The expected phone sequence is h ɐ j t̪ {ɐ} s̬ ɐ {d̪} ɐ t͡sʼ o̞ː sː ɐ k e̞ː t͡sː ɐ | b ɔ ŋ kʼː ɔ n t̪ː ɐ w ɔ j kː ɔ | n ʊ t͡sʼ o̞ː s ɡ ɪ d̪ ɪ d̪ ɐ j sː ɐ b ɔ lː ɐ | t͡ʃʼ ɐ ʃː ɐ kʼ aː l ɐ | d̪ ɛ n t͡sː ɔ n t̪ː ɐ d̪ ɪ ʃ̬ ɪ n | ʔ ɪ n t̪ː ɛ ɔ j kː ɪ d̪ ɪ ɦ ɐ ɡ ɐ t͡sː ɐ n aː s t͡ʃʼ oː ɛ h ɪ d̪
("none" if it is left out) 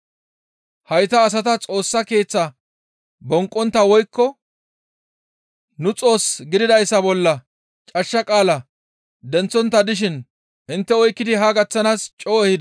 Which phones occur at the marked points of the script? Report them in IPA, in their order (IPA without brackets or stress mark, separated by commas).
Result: ɐː, t̪